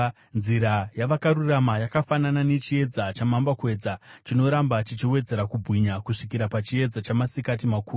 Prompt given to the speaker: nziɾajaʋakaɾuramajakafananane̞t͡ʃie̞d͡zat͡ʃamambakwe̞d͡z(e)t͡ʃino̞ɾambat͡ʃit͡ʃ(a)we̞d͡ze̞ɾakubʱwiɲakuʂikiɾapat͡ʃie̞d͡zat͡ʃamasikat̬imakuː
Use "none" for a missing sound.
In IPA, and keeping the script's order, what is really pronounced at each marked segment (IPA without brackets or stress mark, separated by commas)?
a, i